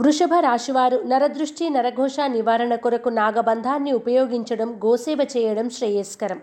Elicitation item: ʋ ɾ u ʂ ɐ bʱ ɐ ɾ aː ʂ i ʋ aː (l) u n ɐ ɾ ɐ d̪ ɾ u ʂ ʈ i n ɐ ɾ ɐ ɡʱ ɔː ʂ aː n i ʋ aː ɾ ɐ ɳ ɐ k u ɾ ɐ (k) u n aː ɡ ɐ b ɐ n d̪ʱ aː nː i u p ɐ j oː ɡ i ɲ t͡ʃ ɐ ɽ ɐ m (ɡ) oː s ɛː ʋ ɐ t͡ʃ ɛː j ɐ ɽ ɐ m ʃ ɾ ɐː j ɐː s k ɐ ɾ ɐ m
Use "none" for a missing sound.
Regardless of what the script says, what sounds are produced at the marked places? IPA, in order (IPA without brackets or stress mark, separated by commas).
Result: ɾ, k, ɡ